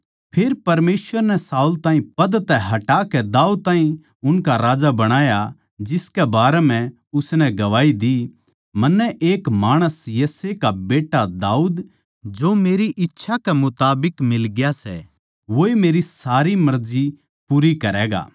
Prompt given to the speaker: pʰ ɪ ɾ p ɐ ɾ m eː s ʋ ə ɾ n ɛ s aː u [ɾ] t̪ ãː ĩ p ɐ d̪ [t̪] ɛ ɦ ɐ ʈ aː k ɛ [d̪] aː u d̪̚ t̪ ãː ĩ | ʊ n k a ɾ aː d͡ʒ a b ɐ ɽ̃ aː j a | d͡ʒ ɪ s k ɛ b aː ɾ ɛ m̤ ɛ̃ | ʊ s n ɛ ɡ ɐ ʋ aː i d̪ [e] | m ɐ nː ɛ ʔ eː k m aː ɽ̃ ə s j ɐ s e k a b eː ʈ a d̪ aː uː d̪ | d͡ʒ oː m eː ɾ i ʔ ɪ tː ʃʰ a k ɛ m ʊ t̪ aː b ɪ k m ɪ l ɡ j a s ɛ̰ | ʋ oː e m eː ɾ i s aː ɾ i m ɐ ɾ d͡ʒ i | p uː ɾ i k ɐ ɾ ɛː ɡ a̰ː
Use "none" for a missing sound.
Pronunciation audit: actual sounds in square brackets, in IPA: l, t̪, d̪, i

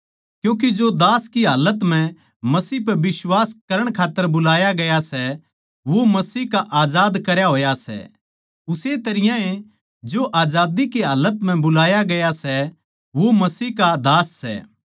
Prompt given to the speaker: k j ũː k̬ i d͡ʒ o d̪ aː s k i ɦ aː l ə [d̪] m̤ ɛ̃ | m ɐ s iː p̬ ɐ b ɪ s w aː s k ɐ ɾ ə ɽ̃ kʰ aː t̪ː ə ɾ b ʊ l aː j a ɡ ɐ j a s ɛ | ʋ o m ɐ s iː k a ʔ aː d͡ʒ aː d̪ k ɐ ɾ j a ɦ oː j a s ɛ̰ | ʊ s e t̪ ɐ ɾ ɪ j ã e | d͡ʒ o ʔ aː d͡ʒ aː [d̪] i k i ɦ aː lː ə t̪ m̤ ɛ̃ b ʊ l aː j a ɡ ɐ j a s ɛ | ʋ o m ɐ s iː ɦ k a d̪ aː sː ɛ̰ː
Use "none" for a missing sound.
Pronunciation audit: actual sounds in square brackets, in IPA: t̪, d̪

